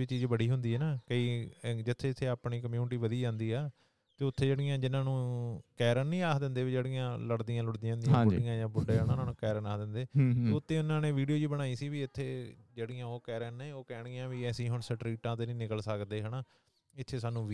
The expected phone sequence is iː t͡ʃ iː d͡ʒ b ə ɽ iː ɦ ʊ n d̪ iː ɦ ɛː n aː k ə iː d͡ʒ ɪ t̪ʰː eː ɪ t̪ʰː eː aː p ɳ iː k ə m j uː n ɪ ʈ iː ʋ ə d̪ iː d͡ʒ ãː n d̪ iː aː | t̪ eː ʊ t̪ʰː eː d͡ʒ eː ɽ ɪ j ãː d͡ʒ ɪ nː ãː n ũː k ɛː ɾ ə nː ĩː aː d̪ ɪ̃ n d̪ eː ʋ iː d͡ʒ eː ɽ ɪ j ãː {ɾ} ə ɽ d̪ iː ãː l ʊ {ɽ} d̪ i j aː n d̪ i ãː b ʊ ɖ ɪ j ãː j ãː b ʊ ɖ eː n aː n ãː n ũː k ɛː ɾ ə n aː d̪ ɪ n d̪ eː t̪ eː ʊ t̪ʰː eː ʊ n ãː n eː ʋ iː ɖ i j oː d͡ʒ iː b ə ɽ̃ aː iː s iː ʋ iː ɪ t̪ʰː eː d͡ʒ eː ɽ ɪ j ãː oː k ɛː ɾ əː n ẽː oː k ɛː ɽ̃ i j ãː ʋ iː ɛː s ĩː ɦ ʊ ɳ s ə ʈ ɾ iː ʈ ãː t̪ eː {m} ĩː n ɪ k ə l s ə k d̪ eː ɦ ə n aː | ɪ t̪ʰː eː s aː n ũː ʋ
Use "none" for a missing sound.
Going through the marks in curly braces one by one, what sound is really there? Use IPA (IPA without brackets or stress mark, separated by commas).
l, ɽ, n